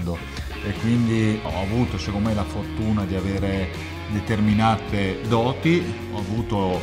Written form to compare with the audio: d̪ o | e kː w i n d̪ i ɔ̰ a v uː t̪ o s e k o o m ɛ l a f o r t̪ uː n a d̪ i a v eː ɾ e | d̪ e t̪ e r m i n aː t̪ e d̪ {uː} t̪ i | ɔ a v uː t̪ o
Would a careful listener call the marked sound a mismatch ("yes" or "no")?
yes